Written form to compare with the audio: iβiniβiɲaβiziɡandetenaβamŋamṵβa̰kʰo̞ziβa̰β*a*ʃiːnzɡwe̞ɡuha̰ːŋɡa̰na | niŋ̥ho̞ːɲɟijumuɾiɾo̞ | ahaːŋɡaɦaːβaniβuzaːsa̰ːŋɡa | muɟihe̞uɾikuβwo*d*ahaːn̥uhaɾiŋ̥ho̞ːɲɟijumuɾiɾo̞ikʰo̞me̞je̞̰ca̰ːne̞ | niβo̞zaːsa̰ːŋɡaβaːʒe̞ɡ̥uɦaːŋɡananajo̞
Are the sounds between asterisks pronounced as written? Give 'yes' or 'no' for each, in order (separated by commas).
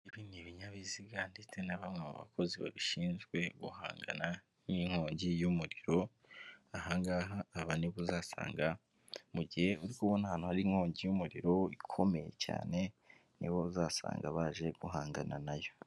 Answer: no, no